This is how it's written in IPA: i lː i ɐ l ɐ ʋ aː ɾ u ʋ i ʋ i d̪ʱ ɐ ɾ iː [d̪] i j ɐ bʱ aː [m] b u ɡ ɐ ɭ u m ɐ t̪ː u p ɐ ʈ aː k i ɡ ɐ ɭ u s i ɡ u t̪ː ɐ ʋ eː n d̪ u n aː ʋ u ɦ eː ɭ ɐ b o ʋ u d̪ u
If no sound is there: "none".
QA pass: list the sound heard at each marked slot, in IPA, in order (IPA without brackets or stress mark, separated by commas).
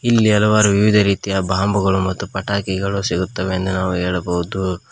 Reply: t̪, m